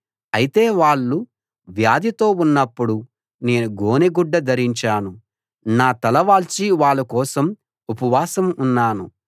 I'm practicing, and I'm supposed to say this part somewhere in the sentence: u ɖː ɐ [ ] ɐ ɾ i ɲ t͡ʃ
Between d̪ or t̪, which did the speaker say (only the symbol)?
d̪